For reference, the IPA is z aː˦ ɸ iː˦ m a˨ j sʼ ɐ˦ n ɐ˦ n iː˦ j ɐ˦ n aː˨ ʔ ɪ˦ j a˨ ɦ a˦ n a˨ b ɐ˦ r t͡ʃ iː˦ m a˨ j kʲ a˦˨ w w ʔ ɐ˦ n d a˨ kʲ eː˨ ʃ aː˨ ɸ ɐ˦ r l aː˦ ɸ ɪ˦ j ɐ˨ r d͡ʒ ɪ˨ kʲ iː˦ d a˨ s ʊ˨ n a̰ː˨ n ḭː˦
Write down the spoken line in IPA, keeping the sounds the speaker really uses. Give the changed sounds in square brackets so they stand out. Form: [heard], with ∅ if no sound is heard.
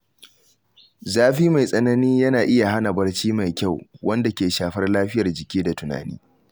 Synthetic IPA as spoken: z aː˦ ɸ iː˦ m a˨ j sʼ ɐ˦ n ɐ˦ n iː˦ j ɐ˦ n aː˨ ʔ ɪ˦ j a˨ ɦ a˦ n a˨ b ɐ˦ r t͡ʃ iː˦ m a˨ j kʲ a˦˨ w w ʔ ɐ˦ n d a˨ kʲ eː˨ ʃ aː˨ ɸ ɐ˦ r l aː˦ ɸ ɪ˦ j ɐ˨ r d͡ʒ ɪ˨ kʲ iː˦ d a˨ [t] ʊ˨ n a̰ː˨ n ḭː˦

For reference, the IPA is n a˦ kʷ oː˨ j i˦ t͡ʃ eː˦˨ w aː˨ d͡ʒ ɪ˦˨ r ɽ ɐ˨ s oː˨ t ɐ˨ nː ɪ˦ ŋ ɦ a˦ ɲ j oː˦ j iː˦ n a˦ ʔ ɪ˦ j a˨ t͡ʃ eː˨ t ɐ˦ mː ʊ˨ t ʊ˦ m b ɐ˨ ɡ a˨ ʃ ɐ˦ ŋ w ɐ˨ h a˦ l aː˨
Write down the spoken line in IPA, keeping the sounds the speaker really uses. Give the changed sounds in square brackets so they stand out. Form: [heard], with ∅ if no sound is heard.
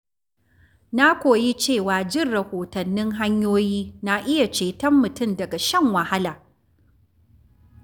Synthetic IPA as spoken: n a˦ kʷ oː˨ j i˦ t͡ʃ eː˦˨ w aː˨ d͡ʒ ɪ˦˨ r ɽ ɐ˨ [h] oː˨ t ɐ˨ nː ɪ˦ ŋ ɦ a˦ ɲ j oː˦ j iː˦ n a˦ ʔ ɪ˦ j a˨ t͡ʃ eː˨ t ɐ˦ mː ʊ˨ t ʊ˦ m [d] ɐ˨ ɡ a˨ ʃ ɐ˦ ŋ w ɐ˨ h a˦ l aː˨

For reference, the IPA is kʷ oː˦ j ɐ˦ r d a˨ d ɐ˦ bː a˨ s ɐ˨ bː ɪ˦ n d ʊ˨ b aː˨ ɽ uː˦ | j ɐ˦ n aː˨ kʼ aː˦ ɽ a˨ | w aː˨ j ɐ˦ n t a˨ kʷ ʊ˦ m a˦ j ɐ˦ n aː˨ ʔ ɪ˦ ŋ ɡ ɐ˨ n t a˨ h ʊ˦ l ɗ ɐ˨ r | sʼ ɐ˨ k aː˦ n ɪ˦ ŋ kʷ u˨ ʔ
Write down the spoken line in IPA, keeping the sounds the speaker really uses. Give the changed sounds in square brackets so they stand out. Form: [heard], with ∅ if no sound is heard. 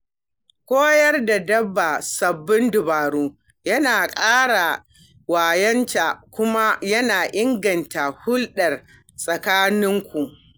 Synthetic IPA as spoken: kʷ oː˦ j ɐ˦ r d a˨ d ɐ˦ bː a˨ s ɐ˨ bː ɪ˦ n d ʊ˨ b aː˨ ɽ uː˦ | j ɐ˦ n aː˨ kʼ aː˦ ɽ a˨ | w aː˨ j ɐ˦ n t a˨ kʷ ʊ˦ m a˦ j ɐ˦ n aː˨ ʔ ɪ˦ ŋ ɡ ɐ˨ n t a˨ h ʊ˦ l ɗ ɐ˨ r | sʼ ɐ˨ k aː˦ n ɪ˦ ŋ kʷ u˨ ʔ

